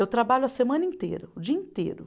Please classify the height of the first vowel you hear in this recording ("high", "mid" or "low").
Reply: mid